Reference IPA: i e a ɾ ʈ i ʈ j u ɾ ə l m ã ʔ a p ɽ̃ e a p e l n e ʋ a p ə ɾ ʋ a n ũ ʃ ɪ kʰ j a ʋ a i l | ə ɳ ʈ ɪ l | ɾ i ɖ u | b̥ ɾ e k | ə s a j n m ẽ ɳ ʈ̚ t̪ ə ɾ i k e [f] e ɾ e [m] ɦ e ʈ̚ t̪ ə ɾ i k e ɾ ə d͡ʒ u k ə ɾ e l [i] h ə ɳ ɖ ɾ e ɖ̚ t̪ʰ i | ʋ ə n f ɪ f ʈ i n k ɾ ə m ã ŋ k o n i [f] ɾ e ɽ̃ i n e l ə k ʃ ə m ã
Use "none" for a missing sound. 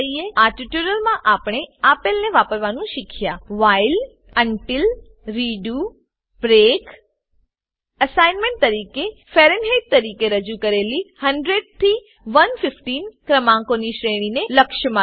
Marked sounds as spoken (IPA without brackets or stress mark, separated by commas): f, n, i, ʃ